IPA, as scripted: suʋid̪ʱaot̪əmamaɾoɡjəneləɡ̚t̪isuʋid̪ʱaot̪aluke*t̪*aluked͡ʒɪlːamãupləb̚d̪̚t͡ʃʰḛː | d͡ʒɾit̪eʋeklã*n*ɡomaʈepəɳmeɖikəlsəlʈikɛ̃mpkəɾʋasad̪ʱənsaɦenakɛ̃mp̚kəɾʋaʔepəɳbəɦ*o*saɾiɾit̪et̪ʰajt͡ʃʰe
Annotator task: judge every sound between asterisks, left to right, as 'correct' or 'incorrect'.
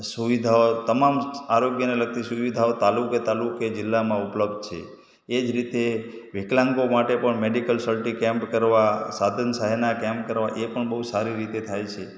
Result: correct, incorrect, incorrect

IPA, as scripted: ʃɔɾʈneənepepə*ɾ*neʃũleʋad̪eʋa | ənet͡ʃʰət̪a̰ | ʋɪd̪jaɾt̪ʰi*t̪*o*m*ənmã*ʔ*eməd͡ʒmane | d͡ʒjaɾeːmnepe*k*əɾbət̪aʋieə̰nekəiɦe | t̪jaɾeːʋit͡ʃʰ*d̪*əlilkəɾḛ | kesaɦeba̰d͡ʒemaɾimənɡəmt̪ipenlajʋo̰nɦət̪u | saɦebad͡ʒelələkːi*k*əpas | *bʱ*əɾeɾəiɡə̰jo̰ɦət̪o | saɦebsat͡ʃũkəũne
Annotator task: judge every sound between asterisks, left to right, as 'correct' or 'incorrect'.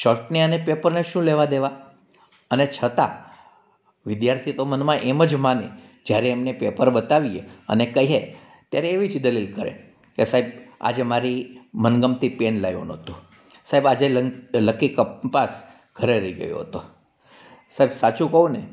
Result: correct, correct, correct, correct, incorrect, correct, correct, incorrect

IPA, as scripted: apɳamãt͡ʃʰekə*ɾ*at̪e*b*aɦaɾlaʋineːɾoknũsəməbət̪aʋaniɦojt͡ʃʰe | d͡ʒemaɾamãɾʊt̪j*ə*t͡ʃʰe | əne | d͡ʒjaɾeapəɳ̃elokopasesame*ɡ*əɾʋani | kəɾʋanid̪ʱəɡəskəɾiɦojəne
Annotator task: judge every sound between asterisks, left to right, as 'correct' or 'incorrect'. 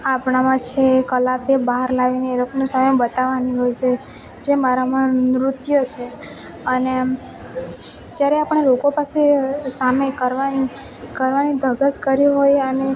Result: incorrect, correct, correct, incorrect

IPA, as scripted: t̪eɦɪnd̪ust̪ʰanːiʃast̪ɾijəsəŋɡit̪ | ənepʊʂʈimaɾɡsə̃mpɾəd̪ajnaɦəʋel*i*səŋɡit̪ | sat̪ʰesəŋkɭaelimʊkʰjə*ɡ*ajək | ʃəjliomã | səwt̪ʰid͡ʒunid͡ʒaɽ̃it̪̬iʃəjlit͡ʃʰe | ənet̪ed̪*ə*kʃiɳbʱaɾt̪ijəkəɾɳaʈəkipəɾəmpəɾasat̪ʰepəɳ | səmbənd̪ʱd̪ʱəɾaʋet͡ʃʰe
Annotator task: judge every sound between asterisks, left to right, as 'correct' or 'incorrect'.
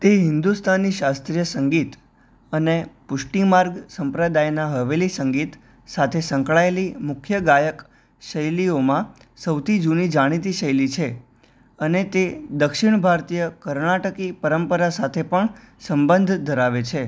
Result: correct, correct, correct

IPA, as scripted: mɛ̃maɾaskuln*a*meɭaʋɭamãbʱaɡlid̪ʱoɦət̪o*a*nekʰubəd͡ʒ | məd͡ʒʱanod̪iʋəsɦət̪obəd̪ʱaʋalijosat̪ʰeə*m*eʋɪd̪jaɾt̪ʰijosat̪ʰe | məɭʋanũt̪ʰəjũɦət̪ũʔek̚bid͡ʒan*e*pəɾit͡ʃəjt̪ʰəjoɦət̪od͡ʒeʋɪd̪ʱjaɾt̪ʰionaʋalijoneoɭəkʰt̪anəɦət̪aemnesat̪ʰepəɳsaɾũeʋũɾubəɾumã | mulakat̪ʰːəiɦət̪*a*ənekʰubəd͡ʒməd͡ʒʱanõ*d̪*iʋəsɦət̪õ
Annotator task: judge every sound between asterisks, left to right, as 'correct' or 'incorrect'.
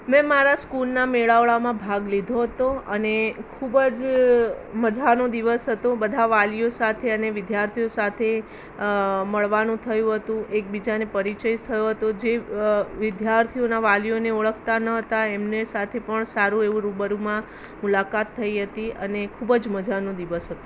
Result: correct, incorrect, incorrect, correct, incorrect, correct

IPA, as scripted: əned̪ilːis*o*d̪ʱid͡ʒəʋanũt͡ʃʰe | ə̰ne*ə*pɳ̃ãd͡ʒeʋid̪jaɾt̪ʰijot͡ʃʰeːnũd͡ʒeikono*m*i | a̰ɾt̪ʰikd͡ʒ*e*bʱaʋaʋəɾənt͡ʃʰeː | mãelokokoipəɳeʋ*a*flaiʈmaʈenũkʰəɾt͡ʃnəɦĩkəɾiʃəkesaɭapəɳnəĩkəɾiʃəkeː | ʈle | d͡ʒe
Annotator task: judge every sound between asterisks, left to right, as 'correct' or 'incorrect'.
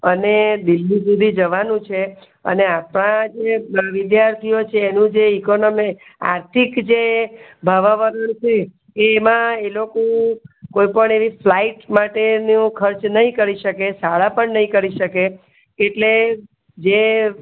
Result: incorrect, incorrect, correct, correct, incorrect

